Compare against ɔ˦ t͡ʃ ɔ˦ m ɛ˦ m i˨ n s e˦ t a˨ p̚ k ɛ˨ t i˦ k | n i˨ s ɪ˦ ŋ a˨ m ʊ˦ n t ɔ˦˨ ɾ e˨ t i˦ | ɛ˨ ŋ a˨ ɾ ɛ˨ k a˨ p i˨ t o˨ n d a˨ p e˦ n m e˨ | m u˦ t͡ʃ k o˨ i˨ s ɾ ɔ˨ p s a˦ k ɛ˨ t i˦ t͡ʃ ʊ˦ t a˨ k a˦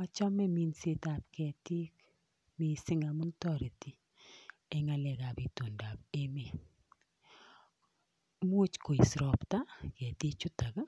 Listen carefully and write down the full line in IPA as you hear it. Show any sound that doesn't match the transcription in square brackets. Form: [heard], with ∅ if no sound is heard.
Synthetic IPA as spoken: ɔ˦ t͡ʃ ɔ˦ m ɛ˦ m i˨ n s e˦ t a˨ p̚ k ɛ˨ t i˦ k | [m] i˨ s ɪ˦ ŋ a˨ m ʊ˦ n t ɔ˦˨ ɾ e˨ t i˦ | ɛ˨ ŋ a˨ [l] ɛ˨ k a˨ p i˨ t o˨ n d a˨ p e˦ [∅] m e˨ | m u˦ t͡ʃ k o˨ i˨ s ɾ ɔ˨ p [t] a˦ k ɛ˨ t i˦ t͡ʃ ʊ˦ t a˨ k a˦